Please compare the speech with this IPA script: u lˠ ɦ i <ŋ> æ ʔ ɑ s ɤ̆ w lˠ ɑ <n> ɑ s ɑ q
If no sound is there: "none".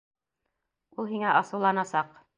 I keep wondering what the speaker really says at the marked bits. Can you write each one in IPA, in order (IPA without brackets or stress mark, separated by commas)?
ŋ, n